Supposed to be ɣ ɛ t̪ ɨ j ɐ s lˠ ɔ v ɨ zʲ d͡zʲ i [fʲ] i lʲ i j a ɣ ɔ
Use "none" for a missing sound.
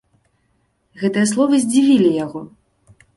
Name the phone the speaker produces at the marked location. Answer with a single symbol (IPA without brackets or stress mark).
vʲ